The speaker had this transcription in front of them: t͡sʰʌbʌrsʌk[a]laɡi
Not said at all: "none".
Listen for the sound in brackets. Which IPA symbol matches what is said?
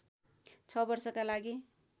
a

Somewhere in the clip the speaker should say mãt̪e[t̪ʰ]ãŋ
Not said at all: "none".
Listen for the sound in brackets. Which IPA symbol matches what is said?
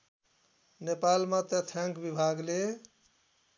t̪ʰ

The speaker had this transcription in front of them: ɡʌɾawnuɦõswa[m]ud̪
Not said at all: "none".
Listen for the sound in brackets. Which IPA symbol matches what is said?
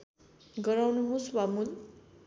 m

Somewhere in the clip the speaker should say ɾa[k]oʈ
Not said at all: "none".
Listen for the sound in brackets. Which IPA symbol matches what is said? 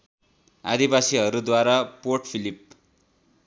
p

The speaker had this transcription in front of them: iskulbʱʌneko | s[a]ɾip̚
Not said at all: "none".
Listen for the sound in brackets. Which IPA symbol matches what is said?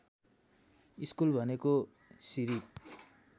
i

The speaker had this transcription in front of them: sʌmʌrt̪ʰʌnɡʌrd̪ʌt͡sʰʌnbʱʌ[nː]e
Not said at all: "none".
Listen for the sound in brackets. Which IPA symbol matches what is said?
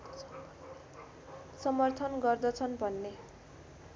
nː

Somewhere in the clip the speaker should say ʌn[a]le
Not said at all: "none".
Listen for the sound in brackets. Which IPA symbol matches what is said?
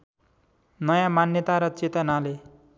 a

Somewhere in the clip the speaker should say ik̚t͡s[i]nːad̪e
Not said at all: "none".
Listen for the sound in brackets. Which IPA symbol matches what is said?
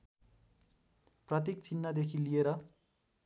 i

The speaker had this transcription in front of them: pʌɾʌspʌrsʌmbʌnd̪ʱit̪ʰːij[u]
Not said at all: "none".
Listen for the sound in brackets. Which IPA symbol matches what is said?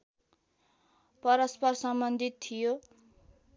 o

